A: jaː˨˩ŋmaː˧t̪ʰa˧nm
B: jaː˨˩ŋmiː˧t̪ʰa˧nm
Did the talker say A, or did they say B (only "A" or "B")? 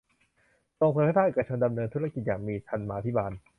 B